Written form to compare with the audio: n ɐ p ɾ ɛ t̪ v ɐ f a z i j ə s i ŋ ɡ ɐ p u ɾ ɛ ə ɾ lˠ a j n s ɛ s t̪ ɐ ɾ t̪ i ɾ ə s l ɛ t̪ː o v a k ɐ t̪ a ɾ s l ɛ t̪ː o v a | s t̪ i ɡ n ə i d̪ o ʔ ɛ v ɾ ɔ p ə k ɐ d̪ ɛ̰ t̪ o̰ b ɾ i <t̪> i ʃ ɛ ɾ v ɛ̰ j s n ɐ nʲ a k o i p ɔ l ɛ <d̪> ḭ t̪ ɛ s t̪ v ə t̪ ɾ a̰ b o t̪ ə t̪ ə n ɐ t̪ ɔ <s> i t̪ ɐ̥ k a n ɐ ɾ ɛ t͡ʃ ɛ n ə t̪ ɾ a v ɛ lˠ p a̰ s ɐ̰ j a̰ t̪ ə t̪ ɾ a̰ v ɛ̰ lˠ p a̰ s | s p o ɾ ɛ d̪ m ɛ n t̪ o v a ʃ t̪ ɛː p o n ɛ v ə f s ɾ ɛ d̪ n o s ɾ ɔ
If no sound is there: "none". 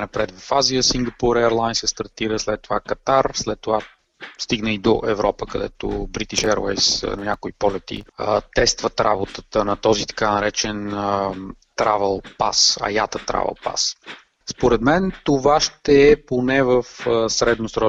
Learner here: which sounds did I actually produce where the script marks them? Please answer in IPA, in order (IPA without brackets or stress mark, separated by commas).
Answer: t̪, t̪, z